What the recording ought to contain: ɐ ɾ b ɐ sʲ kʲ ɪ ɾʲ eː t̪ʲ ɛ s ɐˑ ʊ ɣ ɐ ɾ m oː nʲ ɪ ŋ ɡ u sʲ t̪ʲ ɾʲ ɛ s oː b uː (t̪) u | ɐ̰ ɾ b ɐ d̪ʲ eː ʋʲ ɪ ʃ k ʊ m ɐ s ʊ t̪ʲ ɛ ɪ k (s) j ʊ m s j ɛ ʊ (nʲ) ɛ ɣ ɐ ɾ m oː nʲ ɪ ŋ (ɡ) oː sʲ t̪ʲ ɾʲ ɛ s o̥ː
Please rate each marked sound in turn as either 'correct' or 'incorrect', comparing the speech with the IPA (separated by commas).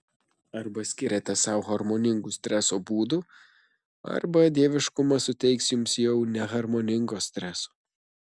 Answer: incorrect, correct, correct, correct